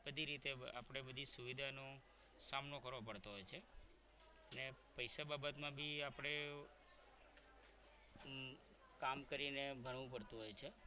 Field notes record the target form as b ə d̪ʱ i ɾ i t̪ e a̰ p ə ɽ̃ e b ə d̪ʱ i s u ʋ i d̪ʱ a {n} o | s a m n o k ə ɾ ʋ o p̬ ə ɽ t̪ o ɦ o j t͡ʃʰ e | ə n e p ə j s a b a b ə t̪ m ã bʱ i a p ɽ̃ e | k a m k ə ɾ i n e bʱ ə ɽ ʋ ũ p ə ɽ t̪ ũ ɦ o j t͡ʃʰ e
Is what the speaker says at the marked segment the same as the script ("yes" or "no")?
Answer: yes